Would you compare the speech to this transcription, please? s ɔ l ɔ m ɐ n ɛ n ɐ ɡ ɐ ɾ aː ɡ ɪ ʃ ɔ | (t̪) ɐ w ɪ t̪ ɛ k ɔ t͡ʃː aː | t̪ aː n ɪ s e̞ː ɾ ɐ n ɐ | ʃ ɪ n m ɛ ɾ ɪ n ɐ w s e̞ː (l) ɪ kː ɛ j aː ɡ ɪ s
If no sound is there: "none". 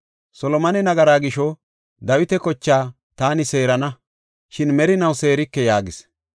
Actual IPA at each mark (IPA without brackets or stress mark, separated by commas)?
d̪, ɾ